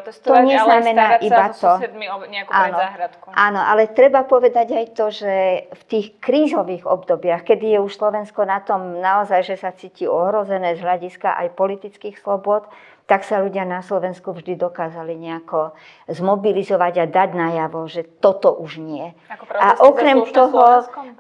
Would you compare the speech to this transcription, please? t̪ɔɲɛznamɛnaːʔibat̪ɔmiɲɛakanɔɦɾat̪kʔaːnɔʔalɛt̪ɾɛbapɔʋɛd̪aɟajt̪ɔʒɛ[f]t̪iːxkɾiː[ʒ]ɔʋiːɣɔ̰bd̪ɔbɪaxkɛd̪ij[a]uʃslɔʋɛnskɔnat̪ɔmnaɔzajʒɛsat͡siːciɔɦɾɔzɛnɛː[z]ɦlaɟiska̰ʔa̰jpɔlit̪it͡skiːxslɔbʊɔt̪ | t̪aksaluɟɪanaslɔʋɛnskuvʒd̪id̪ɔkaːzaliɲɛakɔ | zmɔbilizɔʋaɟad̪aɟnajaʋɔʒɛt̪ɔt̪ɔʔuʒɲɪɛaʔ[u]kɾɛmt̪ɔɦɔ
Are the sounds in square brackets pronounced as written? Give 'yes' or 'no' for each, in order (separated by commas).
yes, no, no, yes, no